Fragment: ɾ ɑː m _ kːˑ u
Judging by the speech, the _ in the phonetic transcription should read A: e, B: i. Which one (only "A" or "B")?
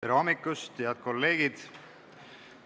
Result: B